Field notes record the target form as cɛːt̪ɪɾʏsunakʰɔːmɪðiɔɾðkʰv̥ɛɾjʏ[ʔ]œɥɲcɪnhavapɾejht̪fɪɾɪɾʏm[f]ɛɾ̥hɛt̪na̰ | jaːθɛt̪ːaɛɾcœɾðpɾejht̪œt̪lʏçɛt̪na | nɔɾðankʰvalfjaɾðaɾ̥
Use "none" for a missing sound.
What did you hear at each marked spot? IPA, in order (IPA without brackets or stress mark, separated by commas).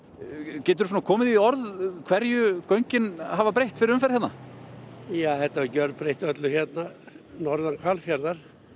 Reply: k, f